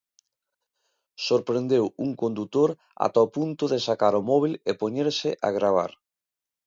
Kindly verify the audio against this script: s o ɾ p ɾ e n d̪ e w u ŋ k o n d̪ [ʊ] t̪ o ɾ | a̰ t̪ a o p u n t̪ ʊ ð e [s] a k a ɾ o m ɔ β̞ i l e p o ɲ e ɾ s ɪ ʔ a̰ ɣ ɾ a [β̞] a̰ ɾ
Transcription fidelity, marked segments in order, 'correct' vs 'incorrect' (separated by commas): incorrect, correct, correct